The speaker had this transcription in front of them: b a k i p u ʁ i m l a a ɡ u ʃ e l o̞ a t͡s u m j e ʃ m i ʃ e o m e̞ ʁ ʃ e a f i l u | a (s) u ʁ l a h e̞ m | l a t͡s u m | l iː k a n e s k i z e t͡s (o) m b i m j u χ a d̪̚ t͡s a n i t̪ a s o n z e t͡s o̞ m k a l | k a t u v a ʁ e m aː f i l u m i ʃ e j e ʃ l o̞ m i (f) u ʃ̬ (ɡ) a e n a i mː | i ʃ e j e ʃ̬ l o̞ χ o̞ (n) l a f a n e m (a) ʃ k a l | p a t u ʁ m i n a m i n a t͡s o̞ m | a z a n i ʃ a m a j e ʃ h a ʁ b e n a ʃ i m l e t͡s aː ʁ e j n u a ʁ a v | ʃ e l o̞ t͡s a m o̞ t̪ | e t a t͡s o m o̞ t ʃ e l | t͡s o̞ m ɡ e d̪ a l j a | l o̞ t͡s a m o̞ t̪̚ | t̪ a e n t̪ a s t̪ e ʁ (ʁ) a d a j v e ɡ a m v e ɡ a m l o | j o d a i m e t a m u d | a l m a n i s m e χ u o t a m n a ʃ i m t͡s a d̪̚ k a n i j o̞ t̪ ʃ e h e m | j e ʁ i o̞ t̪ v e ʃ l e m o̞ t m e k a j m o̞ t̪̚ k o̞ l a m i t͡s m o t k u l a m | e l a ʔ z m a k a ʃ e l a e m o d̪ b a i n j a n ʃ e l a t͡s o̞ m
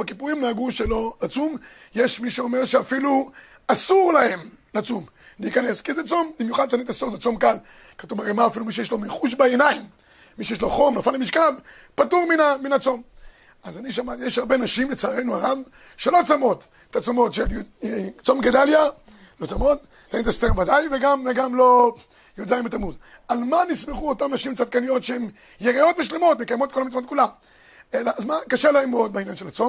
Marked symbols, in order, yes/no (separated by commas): yes, yes, no, no, no, no, no